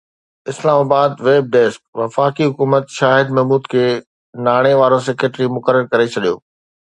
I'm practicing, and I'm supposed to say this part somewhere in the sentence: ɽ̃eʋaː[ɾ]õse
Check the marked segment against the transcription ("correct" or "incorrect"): correct